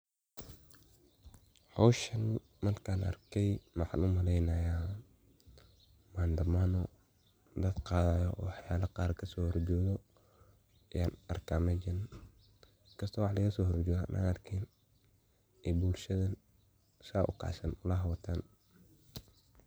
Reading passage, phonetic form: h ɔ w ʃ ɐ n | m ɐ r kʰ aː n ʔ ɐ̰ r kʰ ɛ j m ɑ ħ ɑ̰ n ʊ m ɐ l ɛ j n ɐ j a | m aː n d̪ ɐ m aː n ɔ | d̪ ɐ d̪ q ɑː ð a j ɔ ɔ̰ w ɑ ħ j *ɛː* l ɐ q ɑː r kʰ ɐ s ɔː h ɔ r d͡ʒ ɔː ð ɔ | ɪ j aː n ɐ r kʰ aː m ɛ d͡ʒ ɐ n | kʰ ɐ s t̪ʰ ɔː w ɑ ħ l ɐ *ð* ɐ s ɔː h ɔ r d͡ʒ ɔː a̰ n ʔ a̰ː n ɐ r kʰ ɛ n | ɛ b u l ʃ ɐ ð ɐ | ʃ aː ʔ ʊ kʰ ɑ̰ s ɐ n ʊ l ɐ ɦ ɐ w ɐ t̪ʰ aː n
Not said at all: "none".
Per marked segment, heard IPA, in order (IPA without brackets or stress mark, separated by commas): aː, ɣ